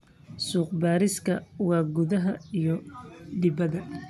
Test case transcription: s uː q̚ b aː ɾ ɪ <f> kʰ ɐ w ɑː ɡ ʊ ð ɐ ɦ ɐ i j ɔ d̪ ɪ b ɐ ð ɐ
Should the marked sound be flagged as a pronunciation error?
yes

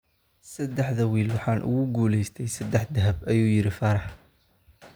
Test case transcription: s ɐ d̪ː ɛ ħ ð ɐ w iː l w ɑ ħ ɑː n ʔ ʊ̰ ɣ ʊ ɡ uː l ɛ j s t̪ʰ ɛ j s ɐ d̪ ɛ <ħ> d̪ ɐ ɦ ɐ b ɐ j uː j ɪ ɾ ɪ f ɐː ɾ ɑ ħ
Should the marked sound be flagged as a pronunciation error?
no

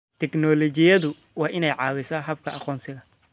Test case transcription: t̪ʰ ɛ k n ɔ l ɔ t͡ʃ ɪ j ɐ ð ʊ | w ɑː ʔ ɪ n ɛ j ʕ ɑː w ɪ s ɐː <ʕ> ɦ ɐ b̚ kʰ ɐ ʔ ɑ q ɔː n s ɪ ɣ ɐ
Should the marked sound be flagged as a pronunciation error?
yes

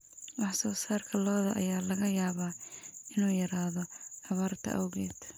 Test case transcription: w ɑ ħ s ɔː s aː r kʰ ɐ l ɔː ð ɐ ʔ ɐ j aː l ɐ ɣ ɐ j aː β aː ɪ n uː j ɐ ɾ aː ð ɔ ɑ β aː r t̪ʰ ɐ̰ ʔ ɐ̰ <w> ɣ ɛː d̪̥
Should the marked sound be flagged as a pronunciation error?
no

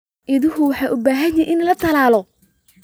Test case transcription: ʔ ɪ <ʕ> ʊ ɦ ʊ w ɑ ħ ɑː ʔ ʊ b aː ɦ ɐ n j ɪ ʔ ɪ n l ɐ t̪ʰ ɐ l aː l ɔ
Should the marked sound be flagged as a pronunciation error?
yes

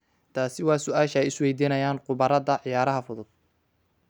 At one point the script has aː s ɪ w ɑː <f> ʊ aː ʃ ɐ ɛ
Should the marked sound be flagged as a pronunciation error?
yes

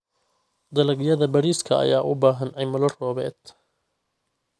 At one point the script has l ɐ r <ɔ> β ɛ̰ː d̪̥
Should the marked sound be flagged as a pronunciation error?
yes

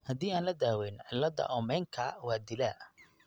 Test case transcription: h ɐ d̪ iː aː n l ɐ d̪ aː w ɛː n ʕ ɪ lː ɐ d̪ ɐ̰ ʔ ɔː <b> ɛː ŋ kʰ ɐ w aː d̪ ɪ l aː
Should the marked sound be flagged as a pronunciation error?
yes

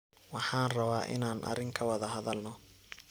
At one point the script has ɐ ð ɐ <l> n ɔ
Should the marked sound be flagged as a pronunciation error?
no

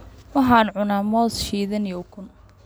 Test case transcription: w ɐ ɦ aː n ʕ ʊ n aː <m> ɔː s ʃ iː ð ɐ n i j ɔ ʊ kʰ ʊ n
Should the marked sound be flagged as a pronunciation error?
no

